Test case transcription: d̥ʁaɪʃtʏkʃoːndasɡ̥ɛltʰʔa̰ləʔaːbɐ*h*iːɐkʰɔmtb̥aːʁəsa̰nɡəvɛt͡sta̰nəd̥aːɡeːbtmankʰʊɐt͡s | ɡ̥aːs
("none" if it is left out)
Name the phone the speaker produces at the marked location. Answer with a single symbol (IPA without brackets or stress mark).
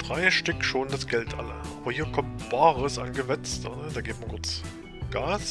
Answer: h